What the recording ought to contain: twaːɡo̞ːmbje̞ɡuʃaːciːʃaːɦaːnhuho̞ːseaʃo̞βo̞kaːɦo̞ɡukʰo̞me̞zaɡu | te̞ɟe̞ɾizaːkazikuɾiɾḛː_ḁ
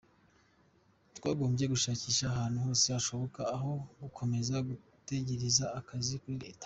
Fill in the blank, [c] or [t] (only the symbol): t